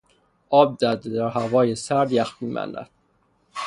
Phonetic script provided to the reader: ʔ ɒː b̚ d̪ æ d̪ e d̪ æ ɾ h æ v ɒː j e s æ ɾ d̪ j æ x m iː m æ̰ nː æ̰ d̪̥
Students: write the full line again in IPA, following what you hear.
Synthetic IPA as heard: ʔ ɒː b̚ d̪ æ d̪ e d̪ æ ɾ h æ v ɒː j e s æ ɾ d̪ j æ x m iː m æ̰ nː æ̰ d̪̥